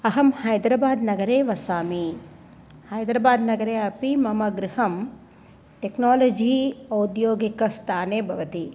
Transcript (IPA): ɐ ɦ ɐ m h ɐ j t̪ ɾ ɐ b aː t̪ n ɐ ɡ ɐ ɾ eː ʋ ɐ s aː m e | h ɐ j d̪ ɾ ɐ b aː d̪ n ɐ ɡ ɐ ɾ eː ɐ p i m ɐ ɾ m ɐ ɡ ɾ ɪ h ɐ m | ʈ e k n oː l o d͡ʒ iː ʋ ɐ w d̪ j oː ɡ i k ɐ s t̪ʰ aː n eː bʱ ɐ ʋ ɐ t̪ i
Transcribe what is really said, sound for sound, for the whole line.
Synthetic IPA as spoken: ɐ ɦ ɐ m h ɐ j d̪ ɾ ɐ b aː d̪ n ɐ ɡ ɐ ɾ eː ʋ ɐ s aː m i | h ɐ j d̪ ɾ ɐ b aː d̪ n ɐ ɡ ɐ ɾ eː ɐ p i m ɐ m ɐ ɡ ɾ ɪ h ɐ m | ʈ e k n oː l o d͡ʒ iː ɐ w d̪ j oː ɡ i k ɐ s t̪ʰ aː n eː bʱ ɐ ʋ ɐ t̪ i